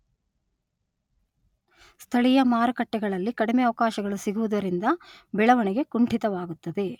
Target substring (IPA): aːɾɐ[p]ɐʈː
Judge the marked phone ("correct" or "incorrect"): incorrect